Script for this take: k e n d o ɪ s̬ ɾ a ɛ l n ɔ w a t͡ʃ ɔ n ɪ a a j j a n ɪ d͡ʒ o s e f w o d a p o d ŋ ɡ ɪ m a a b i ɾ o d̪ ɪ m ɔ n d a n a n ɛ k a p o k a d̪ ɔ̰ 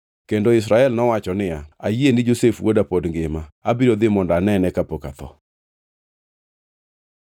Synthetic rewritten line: k e n d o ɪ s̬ ɾ a ɛ l n ɔ w a t͡ʃ ɔ n ɪ a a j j e n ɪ d͡ʒ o s e f w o d a p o d ŋ ɡ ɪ m a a b i ɾ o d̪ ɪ m ɔ n d a n ɛ n ɛ k a p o k a t̪ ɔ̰